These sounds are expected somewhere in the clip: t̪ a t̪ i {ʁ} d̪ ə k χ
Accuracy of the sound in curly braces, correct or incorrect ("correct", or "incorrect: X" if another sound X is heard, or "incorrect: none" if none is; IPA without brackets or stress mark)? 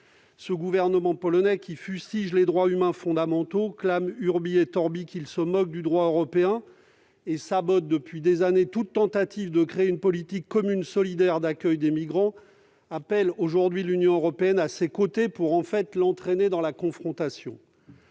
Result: incorrect: v